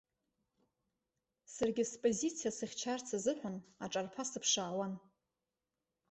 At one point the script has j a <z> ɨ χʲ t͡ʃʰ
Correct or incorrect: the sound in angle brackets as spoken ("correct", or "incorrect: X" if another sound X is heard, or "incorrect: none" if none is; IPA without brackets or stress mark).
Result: incorrect: s